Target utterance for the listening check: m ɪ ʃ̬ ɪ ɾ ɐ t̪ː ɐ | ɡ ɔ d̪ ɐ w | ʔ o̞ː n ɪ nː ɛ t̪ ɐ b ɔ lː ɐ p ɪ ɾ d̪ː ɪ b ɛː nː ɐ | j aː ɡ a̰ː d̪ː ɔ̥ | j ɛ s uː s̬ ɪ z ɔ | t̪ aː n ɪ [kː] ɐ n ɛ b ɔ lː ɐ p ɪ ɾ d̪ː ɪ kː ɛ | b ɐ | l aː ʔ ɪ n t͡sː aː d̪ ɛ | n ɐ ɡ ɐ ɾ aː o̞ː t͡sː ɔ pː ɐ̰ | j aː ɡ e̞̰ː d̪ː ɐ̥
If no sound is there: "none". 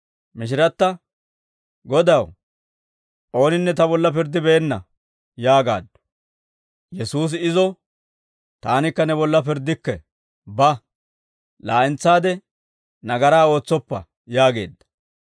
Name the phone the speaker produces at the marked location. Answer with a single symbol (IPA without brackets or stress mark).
kː